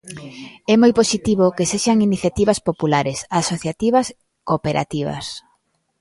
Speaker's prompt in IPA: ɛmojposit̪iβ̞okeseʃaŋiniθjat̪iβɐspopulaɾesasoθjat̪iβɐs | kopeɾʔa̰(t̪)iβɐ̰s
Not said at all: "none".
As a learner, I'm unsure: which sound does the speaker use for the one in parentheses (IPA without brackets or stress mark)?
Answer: t̪